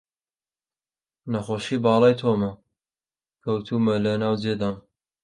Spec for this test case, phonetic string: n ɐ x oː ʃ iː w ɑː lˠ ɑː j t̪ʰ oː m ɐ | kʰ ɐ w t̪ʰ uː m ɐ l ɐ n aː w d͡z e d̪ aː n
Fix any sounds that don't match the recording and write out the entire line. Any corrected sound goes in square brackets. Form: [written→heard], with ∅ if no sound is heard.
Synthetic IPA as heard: n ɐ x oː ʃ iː [w→b] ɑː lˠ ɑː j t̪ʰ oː m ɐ | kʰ ɐ w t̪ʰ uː m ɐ l ɐ n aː w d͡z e d̪ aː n